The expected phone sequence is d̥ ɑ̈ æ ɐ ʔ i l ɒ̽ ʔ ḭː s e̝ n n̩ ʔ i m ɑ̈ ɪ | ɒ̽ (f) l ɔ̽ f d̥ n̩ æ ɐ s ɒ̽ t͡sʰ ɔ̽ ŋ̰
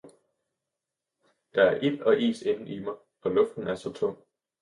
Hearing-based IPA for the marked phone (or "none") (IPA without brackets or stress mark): none